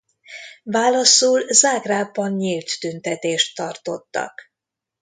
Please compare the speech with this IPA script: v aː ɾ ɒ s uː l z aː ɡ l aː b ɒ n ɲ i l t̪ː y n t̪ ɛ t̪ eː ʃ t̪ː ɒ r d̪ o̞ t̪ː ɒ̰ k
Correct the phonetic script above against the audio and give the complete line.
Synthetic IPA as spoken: v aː l ɒ s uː l z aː ɡ r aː b ɒ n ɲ i l t̪ː y n t̪ ɛ t̪ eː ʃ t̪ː ɒ r t̪ o̞ t̪ː ɒ̰ k